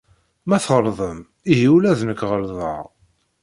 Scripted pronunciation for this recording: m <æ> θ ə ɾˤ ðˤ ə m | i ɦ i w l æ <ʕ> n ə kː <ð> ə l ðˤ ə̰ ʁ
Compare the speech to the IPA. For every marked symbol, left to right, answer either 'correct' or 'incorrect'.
correct, incorrect: ð, incorrect: ʁ

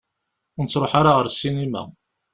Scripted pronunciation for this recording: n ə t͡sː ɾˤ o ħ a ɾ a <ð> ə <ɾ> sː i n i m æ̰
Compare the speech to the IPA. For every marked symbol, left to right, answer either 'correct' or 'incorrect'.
incorrect: ʁ, correct

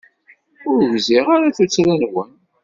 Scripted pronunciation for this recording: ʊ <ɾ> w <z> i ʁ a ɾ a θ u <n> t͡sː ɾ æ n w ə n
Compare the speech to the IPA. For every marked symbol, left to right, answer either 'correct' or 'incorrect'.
correct, correct, incorrect: none

